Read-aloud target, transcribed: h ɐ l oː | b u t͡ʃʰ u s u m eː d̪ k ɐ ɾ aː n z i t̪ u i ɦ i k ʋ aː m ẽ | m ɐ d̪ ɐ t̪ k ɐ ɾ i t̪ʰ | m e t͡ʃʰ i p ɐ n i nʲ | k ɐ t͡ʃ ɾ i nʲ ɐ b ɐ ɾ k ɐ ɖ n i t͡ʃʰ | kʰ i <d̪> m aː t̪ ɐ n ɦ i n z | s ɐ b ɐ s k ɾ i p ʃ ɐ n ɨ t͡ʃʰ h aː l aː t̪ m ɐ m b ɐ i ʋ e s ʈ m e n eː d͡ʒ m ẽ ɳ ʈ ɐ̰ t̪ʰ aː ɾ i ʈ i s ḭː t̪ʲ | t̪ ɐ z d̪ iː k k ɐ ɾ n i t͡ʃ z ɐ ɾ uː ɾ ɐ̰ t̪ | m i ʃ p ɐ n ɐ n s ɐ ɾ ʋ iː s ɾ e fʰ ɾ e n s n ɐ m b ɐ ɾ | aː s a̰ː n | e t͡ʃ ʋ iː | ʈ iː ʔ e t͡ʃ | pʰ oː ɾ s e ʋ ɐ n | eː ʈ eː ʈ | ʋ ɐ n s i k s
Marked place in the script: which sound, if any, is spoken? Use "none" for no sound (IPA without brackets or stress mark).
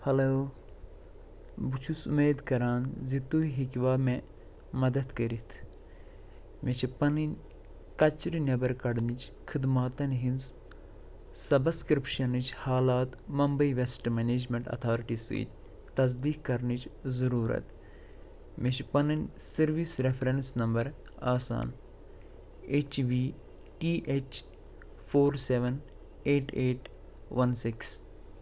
d̪